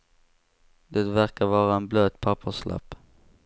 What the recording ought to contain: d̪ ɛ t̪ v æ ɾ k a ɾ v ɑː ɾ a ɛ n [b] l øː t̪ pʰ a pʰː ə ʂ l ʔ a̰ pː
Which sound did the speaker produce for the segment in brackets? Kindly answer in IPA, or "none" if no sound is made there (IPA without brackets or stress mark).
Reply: b